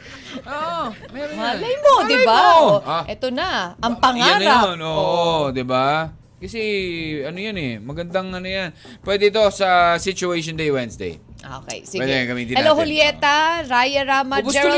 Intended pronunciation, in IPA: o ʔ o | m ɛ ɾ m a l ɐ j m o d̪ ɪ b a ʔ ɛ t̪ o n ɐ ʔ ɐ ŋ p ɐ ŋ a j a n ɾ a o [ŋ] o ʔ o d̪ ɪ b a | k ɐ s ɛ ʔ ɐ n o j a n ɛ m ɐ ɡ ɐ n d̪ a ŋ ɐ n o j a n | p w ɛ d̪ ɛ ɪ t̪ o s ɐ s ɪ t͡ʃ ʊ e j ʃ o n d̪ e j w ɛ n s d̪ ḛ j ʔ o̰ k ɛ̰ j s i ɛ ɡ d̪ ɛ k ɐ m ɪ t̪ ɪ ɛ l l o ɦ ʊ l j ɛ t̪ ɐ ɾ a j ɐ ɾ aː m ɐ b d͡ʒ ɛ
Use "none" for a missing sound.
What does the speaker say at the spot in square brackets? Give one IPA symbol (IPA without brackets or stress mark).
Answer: n